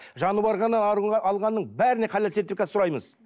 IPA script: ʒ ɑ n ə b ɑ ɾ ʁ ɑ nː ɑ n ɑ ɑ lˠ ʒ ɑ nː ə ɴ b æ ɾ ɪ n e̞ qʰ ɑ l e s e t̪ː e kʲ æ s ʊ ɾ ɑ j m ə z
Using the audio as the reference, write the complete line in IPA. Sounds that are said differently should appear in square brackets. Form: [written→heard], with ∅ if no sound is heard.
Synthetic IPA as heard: ʒ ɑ n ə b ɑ ɾ ʁ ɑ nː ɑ n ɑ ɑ lˠ [ʒ→ʁ] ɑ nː ə ɴ b æ ɾ ɪ n e̞ qʰ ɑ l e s e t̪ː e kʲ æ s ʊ ɾ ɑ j m ə z